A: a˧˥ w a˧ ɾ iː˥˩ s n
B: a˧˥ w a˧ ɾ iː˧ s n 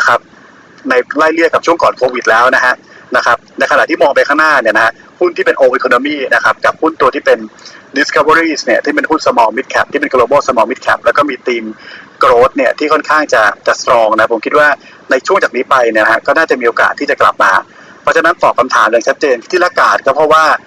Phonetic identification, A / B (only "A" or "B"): A